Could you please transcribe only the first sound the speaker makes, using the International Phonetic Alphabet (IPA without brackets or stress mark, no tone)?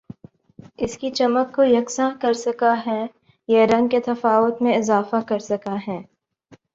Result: ɪ